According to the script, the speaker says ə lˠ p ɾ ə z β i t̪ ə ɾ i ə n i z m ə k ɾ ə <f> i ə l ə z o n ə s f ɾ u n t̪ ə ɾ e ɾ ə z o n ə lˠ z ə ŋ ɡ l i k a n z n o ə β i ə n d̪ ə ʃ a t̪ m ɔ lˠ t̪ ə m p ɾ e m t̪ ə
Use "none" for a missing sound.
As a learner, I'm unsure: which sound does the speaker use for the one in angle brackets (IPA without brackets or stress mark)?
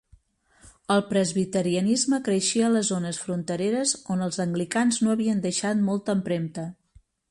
ʃ